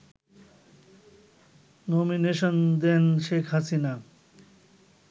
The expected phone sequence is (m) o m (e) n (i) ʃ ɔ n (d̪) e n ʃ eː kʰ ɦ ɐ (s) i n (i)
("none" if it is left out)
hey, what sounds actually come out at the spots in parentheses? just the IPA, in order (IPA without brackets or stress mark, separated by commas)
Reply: n, i, e, d̪, s, a